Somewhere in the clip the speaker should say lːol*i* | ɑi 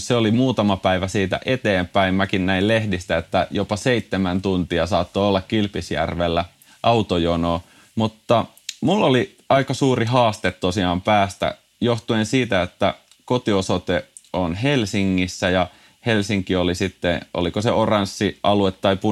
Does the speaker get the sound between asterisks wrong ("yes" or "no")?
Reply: no